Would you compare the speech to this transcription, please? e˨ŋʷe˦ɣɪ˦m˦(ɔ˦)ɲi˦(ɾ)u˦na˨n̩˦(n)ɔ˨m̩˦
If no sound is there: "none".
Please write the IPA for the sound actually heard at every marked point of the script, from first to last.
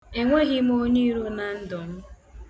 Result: o˦, ɾ, d

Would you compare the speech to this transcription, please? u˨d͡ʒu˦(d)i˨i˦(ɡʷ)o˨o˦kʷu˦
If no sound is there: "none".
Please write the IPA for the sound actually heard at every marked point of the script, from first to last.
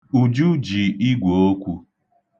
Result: d͡ʒ, ɡʷ

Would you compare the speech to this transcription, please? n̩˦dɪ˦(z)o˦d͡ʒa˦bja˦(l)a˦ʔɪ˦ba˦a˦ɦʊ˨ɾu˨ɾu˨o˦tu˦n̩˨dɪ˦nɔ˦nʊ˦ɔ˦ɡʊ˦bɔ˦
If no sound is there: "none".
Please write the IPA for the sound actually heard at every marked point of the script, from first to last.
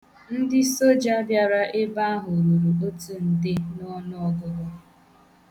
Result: s, ɾ

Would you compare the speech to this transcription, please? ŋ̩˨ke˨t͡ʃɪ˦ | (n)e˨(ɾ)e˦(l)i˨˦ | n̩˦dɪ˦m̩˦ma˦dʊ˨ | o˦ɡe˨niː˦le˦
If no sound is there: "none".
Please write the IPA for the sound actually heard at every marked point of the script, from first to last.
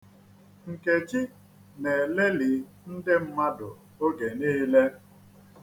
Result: n, l, l

